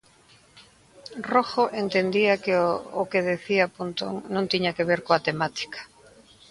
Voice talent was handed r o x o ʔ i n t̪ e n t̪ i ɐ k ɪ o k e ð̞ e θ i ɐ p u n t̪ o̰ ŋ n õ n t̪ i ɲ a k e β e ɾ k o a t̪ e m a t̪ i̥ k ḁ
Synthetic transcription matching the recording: r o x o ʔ e n t̪ e n d̪ i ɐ k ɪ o k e ð̞ e θ i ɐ p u n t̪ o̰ ŋ n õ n t̪ i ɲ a k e β e ɾ k o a t̪ e m a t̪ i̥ k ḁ